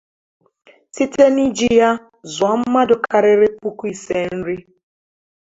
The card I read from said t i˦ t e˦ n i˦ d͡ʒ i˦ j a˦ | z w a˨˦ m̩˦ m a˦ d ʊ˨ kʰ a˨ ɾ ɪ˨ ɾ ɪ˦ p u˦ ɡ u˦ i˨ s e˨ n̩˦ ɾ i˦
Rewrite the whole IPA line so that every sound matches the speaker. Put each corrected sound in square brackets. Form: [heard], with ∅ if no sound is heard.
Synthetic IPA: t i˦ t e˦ n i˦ d͡ʒ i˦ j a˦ | z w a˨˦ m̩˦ m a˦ d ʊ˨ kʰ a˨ ɾ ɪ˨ ɾ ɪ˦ p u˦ [k] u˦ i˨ s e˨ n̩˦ ɾ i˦